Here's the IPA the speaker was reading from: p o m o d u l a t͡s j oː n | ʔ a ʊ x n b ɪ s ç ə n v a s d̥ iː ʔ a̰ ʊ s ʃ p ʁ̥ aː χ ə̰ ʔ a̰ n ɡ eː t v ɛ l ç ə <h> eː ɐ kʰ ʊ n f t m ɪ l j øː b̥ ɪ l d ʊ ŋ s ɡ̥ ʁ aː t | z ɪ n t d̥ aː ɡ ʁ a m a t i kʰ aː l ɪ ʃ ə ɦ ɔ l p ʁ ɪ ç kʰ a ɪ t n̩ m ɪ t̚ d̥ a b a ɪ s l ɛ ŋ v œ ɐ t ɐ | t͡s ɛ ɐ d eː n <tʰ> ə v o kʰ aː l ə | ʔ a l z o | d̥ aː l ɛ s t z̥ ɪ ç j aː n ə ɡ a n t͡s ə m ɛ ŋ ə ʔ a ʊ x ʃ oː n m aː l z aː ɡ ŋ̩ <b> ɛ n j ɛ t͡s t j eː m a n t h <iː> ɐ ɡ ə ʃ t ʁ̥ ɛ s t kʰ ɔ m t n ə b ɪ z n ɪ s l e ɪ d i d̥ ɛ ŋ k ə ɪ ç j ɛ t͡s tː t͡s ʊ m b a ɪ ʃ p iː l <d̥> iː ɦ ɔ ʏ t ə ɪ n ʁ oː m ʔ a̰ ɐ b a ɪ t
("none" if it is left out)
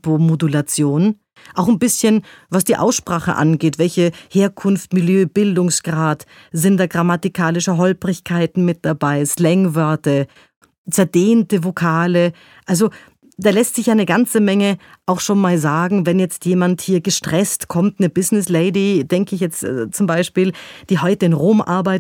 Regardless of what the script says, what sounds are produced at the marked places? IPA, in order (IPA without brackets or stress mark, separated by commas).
h, t, v, iː, d̥